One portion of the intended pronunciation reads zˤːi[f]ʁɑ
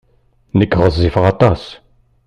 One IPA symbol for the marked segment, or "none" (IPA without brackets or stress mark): f